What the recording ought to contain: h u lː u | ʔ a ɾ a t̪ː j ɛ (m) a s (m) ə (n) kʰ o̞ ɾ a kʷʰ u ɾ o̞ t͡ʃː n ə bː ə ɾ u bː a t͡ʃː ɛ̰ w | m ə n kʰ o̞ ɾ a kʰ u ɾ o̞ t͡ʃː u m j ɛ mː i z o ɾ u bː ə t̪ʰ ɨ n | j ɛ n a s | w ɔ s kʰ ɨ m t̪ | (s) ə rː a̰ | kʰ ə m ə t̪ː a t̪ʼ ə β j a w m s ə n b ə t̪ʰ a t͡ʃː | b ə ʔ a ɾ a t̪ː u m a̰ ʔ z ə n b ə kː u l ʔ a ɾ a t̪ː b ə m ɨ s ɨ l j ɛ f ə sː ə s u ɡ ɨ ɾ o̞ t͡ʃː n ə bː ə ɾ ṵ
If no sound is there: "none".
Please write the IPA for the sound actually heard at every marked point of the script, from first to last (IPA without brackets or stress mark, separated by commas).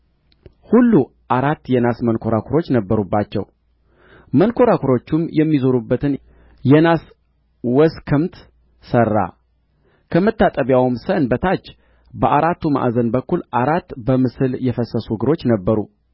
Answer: n, m, n, s